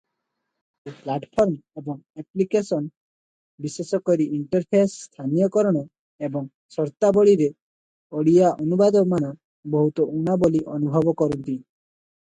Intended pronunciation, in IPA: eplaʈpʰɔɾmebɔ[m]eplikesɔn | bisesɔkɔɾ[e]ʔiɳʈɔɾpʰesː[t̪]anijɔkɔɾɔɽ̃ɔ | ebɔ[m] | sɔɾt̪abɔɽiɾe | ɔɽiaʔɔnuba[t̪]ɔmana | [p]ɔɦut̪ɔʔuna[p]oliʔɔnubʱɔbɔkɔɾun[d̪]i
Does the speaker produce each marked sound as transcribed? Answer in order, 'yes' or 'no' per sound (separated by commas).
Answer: no, no, no, no, no, no, no, no